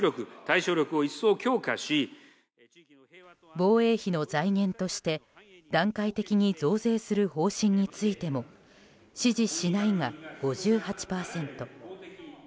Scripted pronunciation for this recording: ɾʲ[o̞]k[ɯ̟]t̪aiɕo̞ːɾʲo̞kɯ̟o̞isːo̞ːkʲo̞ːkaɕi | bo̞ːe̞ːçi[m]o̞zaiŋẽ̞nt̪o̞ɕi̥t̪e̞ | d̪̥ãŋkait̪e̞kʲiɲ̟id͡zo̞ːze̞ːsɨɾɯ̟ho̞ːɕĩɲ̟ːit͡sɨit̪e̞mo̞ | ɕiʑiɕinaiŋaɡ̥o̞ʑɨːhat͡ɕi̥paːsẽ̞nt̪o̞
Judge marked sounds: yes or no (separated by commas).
yes, yes, no